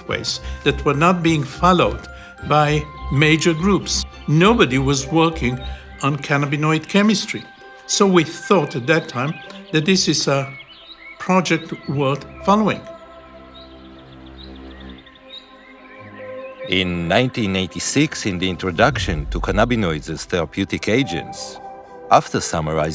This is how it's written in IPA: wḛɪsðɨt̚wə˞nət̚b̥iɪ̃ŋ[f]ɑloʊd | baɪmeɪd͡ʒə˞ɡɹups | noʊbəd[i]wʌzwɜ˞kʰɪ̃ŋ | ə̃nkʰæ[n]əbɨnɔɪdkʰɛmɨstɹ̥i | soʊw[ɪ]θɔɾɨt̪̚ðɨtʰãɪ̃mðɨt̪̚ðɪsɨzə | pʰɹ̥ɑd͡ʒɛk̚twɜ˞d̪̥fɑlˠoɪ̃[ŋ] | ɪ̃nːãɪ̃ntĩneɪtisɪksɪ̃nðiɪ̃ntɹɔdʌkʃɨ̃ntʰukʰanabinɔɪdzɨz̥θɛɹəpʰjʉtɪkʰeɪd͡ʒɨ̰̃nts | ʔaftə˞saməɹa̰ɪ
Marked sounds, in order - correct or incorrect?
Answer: correct, correct, correct, incorrect: i, correct

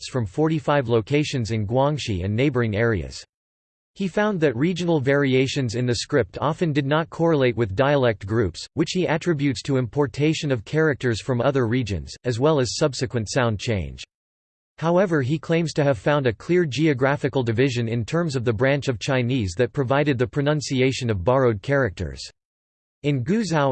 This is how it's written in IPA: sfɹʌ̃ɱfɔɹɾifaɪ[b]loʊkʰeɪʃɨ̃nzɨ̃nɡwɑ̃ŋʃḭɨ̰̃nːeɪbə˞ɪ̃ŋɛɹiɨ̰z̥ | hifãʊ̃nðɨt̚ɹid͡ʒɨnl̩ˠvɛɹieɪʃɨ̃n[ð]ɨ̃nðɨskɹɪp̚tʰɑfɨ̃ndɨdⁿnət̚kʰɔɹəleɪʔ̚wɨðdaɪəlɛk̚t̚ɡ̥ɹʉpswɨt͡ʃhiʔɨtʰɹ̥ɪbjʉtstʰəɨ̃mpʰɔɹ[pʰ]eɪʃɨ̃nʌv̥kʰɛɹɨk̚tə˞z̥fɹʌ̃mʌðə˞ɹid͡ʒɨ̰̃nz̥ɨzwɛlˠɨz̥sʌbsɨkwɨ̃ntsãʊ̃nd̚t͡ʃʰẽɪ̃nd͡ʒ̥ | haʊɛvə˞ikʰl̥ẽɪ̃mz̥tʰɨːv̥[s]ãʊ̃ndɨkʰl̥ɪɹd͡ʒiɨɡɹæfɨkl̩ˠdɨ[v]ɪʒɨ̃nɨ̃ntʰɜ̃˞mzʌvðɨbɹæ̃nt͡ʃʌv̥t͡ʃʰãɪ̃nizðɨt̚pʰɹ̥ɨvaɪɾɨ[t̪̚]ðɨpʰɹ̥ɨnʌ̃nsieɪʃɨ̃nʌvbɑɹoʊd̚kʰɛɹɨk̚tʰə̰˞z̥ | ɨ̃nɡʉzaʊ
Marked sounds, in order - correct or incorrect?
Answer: incorrect: v, incorrect: z, incorrect: tʰ, incorrect: f, correct, incorrect: d̪̚

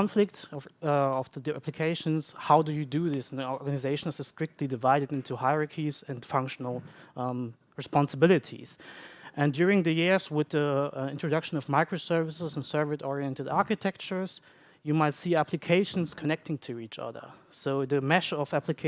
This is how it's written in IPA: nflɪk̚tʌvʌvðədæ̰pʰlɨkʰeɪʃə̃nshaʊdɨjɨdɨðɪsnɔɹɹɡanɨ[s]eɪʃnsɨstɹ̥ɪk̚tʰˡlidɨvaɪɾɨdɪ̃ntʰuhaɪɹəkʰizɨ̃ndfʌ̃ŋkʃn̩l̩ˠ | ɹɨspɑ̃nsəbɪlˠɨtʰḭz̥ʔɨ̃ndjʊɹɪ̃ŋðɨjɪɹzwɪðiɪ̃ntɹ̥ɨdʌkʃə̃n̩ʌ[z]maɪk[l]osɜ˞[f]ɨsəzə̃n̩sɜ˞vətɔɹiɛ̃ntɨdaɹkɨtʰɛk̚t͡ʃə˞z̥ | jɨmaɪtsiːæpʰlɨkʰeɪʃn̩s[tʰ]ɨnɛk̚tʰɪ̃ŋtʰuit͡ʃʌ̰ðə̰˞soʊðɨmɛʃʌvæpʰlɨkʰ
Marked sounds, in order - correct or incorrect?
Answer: incorrect: z, incorrect: v, incorrect: ɹ, incorrect: v, incorrect: kʰ

